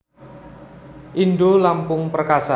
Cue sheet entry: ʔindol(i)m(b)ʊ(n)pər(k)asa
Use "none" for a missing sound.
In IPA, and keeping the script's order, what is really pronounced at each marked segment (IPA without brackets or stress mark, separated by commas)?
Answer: a, p, ŋ, k